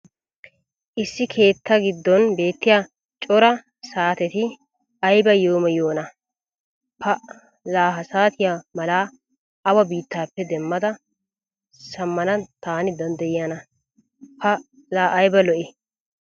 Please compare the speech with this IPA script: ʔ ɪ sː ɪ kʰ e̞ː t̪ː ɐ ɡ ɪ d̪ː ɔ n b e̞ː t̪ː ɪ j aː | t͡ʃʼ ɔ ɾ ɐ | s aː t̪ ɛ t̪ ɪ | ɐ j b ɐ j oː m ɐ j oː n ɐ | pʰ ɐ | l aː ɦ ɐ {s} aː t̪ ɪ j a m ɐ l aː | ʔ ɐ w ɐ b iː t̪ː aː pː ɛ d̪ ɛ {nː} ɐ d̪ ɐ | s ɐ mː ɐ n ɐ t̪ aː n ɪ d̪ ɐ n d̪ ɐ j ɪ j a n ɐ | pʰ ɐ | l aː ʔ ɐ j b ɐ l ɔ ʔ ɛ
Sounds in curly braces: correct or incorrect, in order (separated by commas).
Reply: correct, incorrect